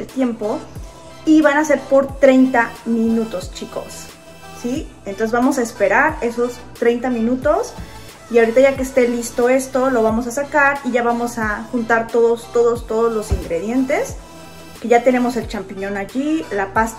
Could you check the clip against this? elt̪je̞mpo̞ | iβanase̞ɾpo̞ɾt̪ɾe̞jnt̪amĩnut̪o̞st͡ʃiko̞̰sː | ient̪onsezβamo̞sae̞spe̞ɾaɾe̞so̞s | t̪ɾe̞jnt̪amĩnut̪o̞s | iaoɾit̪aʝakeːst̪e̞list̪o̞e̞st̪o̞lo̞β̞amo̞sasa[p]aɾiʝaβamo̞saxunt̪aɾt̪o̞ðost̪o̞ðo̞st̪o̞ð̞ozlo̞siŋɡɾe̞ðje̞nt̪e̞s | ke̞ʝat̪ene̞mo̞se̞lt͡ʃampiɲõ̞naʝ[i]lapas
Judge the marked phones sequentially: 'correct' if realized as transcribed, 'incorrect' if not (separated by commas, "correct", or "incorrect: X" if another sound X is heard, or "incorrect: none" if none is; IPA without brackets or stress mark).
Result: incorrect: k, correct